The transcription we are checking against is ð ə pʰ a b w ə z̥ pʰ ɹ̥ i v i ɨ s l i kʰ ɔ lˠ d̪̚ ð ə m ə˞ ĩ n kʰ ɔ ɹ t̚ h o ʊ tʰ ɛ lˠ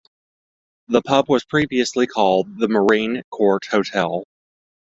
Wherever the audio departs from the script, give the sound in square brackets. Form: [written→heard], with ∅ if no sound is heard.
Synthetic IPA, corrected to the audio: ð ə pʰ [a→ʌ] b w [ə→ʌ] z̥ pʰ ɹ̥ i v i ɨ s l i kʰ ɔ lˠ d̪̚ ð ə m ə˞ ĩ n kʰ ɔ ɹ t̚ h o ʊ tʰ ɛ lˠ